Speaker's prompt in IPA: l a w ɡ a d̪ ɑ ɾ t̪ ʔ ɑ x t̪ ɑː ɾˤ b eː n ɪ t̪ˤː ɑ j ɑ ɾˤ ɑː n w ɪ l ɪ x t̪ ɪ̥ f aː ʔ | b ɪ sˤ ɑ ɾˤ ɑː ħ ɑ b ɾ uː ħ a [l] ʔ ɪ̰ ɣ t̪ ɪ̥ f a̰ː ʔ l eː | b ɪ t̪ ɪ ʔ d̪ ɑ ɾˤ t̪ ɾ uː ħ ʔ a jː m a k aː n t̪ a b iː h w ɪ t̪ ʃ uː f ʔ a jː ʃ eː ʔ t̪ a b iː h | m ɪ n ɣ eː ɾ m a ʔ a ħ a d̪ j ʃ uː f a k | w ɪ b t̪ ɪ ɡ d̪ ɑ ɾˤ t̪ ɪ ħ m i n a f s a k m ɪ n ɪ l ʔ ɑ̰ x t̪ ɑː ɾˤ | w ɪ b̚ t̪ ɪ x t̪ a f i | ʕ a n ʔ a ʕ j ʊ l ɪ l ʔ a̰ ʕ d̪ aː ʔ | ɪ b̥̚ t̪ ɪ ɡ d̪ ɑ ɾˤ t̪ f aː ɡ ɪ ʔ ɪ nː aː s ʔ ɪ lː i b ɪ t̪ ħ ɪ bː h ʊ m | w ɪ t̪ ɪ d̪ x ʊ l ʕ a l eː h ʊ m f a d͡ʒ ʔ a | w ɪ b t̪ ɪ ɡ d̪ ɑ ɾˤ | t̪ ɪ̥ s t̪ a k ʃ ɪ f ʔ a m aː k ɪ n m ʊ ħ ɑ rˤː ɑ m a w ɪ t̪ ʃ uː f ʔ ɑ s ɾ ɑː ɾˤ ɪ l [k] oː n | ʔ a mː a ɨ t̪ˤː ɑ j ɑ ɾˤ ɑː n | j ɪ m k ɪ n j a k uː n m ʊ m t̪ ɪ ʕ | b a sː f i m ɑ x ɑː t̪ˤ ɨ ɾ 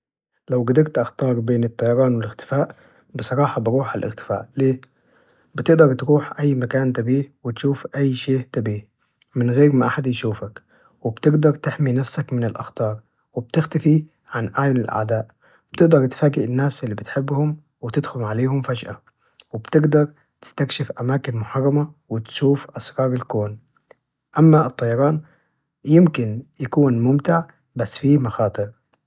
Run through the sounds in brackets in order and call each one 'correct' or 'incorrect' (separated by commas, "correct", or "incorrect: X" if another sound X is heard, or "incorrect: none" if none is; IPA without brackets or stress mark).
correct, correct